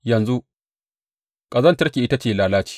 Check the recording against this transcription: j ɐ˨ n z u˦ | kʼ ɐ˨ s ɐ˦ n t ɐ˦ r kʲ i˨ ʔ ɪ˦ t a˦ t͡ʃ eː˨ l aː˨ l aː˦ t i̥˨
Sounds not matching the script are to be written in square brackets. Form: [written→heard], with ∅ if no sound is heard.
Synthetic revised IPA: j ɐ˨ n z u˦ | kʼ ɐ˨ [s→z] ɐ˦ n t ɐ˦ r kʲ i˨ ʔ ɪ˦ t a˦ t͡ʃ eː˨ l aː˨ l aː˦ [t→t͡ʃ] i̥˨